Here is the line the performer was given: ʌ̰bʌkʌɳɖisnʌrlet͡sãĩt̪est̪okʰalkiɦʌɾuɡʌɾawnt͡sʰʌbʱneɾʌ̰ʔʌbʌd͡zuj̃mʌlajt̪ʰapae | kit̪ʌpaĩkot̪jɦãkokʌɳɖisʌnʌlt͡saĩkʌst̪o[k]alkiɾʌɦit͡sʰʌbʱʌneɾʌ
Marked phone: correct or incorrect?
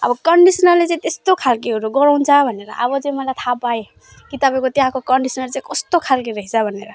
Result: incorrect